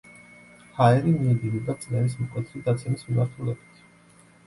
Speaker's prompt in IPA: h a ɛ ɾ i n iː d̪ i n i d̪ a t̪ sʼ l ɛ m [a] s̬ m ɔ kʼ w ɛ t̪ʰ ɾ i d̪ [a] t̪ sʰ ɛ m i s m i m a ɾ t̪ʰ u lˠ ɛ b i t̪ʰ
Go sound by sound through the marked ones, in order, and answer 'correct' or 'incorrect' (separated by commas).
incorrect, correct